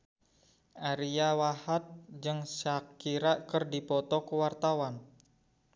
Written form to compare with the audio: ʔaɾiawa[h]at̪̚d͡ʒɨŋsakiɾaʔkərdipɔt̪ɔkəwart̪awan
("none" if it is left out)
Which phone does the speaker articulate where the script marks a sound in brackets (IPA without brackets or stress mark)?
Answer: h